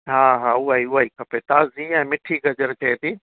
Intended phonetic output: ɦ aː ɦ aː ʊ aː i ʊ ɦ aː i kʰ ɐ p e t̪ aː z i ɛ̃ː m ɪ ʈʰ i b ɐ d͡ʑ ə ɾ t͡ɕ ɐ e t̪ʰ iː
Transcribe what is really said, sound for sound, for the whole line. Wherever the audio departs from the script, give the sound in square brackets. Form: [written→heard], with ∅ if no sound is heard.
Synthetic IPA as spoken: ɦ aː ɦ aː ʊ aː i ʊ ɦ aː i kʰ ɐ p e t̪ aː z i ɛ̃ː m ɪ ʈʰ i [b→ɡ] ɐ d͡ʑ ə ɾ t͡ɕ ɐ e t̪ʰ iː

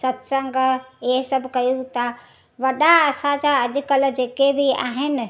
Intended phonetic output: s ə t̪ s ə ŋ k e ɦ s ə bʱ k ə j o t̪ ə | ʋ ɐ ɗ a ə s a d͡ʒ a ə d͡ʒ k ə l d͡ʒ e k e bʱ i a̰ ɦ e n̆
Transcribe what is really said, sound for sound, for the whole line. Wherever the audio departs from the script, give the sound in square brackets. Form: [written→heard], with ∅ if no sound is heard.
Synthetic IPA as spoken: s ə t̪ s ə ŋ [k→ɡ] e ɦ s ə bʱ k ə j [o→u] t̪ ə | ʋ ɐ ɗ a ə s a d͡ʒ a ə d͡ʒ k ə l d͡ʒ e k e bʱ i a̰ ɦ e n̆

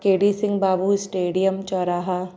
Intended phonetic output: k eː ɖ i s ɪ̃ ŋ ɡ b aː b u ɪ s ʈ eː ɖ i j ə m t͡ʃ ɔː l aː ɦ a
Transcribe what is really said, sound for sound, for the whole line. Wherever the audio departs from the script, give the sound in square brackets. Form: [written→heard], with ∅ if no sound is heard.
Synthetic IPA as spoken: k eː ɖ i s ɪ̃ ŋ ɡ b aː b u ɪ s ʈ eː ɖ i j ə m t͡ʃ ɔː [l→ɾ] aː ɦ a

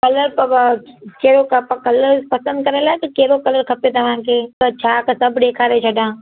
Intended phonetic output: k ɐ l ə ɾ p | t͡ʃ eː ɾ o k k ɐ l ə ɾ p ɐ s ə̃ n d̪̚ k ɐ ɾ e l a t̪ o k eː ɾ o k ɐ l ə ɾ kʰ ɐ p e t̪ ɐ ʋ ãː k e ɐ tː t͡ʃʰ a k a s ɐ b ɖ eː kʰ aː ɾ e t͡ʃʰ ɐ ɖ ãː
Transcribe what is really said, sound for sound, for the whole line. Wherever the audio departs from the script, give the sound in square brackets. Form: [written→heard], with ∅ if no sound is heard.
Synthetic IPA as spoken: k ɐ l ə ɾ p | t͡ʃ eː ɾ o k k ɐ l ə ɾ p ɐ s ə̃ n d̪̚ k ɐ ɾ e l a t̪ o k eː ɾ o k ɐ l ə ɾ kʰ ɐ p e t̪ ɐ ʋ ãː k e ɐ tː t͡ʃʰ a k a s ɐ b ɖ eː kʰ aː ɾ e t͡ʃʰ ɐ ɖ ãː

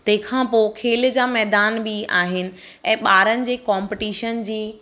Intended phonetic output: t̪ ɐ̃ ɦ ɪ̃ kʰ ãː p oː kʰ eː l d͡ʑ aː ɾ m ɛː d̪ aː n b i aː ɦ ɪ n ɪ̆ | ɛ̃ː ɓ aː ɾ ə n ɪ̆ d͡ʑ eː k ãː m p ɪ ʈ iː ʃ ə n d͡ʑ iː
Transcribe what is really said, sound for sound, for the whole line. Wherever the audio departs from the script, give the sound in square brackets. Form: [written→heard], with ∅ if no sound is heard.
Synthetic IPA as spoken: t̪ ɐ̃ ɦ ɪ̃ kʰ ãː p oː kʰ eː l d͡ʑ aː [ɾ→∅] m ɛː d̪ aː n b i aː ɦ ɪ n ɪ̆ | ɛ̃ː ɓ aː ɾ ə n ɪ̆ d͡ʑ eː k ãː m p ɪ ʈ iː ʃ ə n d͡ʑ iː

